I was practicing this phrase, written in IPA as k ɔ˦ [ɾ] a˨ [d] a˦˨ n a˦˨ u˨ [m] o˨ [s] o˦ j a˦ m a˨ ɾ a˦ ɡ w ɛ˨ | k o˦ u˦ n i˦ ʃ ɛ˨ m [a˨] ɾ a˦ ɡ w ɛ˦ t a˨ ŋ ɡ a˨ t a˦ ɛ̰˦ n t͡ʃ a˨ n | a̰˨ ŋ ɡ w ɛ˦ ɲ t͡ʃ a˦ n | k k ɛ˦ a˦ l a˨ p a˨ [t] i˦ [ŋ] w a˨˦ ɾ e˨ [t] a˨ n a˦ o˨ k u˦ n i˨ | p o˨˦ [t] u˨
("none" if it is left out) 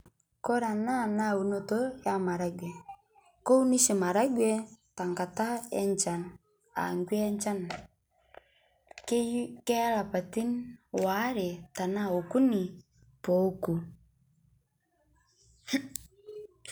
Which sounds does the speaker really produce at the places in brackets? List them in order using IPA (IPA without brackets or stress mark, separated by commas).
ɾ, n, n, t, a˨, t, n, t, k